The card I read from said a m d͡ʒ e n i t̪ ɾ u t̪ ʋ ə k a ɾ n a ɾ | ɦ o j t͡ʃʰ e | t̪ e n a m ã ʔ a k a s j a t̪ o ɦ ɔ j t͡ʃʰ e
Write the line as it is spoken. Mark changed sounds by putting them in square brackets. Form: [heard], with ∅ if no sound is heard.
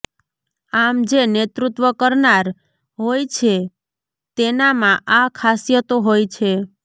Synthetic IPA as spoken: a m d͡ʒ e n [e] t̪ ɾ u t̪ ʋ ə k [ə] ɾ n a ɾ | ɦ o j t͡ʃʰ e | t̪ e n a m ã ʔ a [kʰ] a s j [ə] t̪ o ɦ [o] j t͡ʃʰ e